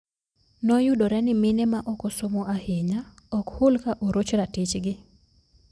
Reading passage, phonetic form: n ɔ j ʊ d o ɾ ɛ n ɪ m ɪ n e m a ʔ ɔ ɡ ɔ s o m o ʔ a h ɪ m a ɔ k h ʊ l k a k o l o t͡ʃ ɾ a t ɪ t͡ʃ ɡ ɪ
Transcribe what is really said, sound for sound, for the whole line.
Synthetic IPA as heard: n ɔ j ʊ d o ɾ ɛ n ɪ m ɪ n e m a ʔ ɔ k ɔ s o m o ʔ a h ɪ ɲ a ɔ k h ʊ l k a ʔ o ɾ o t͡ʃ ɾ a t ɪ t͡ʃ ɡ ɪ